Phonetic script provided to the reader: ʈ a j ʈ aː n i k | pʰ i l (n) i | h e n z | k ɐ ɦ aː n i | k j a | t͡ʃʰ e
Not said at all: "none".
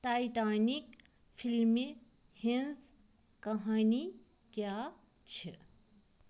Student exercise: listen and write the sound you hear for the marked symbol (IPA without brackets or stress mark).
m